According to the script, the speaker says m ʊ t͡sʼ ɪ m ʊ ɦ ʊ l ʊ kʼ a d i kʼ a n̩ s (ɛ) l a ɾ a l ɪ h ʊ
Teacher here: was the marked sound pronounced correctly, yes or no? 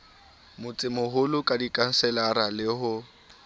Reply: yes